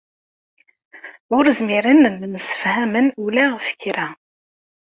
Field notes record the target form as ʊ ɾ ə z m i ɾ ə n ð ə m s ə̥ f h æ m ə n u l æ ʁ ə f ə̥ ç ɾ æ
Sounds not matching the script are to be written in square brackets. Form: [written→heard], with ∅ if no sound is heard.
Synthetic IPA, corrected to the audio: ʊ ɾ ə z m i ɾ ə n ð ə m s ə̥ f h æ m ə n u l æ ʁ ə f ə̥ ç ɾ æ